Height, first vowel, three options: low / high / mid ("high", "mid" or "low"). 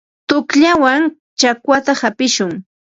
high